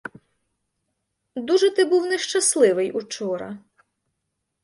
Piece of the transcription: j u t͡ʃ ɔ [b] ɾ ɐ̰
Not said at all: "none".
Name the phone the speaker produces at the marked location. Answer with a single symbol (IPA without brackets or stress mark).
none